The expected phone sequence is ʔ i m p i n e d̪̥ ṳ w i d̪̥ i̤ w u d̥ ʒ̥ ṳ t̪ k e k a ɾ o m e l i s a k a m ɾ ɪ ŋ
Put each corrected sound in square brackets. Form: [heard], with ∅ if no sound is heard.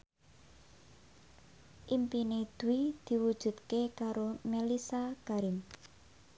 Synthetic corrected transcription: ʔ i m p i n e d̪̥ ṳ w i d̪̥ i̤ w u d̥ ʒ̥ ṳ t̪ k e k a ɾ o m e l i s a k a [∅] ɾ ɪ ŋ